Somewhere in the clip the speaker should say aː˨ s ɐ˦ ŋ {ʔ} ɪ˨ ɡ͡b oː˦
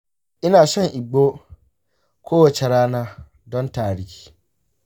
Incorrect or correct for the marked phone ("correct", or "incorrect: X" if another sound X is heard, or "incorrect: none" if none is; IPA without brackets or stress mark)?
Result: correct